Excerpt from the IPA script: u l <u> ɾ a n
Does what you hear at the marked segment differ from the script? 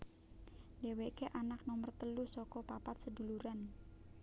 no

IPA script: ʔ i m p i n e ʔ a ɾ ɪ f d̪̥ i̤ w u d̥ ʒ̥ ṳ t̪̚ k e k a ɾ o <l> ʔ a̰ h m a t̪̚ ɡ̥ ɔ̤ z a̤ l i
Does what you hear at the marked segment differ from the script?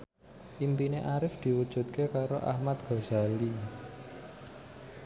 yes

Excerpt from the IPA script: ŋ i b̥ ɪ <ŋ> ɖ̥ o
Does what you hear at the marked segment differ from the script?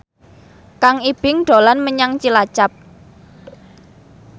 no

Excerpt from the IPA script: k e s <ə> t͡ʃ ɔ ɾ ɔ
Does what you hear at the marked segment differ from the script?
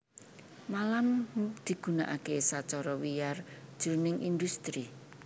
yes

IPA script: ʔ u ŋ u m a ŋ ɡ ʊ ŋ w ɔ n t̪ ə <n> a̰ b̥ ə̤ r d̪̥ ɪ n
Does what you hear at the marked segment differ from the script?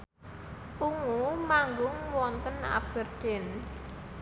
no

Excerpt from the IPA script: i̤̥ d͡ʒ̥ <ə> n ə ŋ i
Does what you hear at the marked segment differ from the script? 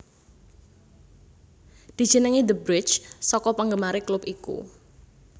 no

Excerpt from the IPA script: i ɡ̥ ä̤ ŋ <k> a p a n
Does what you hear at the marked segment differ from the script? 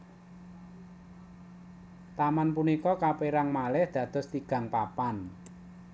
yes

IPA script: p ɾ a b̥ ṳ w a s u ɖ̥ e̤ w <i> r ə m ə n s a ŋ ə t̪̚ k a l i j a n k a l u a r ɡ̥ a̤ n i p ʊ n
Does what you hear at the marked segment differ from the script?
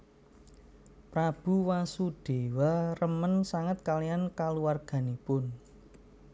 yes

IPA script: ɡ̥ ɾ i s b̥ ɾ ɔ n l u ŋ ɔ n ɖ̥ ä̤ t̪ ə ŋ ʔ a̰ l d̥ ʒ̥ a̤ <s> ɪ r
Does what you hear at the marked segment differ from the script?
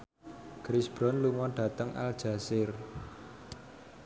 no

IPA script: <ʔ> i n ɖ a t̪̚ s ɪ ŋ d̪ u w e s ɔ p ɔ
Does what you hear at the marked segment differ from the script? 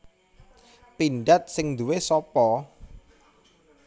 yes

